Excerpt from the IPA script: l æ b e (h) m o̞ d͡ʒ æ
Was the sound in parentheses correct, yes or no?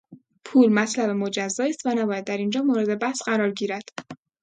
no